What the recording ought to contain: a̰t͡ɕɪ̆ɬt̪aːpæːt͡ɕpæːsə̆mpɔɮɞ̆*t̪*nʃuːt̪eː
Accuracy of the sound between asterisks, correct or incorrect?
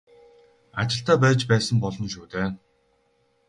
incorrect